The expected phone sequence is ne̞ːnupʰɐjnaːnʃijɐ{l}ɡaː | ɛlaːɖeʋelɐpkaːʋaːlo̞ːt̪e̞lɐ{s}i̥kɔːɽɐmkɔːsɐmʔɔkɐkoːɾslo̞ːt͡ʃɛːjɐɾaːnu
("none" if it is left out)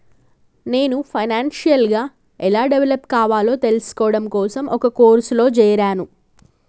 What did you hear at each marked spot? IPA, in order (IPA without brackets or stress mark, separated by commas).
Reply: l, s